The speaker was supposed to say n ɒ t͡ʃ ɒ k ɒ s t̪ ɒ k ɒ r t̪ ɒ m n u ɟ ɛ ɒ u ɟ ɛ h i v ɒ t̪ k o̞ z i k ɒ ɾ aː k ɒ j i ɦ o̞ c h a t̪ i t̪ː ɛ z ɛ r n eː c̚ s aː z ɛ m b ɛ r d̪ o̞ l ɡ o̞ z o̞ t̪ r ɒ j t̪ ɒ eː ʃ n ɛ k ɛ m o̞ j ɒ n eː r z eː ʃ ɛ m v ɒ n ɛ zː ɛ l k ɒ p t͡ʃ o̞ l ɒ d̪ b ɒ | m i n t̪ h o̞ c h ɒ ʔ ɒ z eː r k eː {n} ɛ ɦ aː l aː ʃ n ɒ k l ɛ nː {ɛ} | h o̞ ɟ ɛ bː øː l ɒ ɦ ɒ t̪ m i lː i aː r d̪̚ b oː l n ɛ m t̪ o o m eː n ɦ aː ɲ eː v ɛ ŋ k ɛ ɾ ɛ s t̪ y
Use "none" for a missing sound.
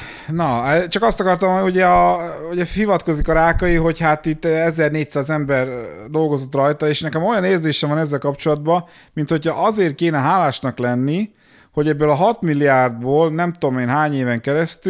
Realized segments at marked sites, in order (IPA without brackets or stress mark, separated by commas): n, i